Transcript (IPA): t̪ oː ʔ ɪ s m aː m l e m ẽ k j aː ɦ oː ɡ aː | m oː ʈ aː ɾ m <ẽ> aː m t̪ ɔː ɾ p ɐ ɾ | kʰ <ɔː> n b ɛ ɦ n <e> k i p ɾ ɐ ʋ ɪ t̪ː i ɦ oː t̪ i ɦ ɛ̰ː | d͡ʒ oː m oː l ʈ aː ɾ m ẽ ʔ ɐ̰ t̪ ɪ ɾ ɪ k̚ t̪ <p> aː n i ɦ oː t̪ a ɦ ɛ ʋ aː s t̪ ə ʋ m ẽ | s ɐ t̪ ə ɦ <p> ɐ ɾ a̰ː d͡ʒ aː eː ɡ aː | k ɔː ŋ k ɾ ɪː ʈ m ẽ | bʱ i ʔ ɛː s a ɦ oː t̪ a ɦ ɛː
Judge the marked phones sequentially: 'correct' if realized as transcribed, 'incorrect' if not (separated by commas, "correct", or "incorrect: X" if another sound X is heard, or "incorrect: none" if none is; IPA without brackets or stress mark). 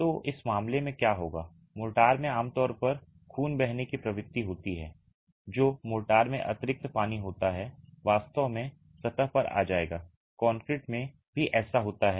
correct, incorrect: uː, correct, correct, correct